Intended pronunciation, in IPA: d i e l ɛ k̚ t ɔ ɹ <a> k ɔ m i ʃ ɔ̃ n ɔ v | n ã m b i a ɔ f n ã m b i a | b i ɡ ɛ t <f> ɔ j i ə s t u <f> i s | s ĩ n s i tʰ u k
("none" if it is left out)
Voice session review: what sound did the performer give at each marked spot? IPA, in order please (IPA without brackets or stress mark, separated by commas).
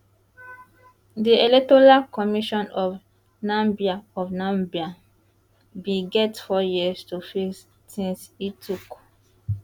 a, f, f